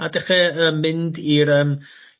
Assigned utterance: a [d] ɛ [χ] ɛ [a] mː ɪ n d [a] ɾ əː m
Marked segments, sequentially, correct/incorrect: correct, correct, incorrect, incorrect

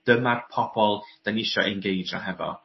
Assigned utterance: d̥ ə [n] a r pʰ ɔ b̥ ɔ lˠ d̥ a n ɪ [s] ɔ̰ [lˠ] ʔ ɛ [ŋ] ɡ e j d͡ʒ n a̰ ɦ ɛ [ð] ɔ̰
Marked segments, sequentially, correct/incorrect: incorrect, incorrect, incorrect, incorrect, incorrect

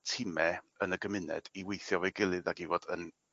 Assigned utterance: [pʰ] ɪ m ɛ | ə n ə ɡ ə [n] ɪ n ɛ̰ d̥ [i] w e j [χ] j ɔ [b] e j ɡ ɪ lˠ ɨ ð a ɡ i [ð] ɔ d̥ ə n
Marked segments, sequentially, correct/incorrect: incorrect, incorrect, correct, incorrect, incorrect, incorrect

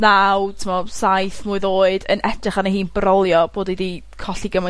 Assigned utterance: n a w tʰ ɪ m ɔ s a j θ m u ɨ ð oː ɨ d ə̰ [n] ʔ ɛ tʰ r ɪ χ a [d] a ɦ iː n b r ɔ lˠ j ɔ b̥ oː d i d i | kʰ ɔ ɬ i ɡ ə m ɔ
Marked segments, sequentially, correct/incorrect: correct, incorrect

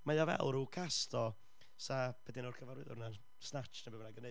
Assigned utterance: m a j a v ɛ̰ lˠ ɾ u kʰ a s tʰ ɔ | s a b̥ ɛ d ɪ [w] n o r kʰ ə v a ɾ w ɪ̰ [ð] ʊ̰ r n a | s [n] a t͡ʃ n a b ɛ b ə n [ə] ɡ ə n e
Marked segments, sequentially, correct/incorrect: incorrect, correct, correct, incorrect

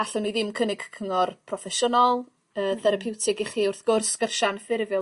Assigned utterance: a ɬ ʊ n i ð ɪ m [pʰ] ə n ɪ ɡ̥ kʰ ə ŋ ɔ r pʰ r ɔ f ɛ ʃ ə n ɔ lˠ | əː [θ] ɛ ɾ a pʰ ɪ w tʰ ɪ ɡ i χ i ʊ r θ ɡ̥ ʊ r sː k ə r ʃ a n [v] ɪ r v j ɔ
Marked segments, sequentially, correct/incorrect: incorrect, correct, incorrect

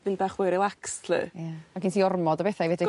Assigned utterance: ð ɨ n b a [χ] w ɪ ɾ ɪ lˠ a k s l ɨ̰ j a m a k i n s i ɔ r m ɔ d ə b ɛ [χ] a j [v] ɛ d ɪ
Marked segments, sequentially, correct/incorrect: correct, incorrect, correct

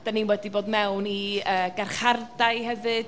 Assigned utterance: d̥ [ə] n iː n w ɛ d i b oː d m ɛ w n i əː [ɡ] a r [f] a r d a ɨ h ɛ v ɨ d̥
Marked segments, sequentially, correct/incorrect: incorrect, correct, incorrect

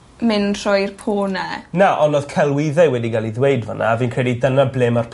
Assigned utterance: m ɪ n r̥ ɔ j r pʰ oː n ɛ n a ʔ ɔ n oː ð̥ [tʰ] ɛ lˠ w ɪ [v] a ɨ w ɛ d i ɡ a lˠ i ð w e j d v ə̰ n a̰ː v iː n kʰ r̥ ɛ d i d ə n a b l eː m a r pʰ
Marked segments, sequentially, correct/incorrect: incorrect, incorrect

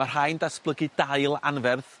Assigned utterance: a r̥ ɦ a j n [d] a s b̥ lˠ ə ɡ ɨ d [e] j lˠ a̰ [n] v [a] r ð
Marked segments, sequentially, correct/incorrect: correct, incorrect, correct, incorrect

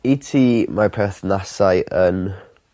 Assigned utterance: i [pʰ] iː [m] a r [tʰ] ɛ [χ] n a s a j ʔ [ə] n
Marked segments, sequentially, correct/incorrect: incorrect, correct, incorrect, incorrect, correct

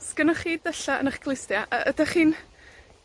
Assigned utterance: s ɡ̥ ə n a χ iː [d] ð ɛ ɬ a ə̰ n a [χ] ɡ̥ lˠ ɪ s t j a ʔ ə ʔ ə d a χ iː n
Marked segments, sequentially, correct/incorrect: correct, correct

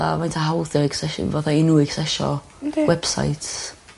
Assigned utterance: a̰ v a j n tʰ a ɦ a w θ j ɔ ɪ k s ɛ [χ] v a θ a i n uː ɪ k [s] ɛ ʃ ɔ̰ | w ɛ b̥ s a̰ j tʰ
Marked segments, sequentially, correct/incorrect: incorrect, correct

